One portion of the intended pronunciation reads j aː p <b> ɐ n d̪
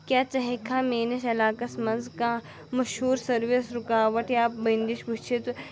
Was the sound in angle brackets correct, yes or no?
yes